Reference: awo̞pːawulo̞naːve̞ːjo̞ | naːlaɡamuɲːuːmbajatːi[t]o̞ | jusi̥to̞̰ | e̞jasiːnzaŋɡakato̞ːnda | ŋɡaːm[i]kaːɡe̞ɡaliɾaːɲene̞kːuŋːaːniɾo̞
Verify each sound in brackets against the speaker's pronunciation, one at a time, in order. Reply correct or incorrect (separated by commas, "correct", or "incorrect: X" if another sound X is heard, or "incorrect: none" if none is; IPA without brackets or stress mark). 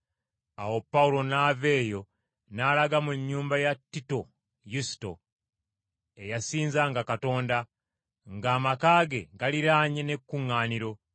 correct, incorrect: a